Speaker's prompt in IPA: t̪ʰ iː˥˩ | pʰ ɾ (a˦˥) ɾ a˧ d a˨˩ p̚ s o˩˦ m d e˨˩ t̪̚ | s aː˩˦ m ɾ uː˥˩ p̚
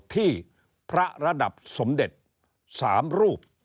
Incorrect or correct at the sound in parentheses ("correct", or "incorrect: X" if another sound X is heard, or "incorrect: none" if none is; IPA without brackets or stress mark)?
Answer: correct